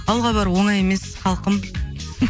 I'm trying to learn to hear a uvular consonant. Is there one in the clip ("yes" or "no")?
yes